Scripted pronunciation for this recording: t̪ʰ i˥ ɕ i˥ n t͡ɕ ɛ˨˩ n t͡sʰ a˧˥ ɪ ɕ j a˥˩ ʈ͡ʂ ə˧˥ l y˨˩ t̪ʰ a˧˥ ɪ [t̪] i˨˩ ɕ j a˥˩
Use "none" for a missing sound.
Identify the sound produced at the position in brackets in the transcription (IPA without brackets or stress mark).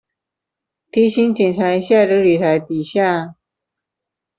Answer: t̪